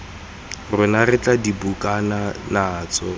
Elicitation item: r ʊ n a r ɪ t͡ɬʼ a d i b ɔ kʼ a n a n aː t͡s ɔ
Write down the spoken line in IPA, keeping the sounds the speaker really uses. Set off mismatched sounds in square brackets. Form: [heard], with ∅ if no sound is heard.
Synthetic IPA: r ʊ n a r ɪ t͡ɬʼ a d i b [u] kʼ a n a n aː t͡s ɔ